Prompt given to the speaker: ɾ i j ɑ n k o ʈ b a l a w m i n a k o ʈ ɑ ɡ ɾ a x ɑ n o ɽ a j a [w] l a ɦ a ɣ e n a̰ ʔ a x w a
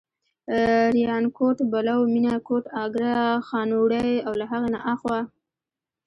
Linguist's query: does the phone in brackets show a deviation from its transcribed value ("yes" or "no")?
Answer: no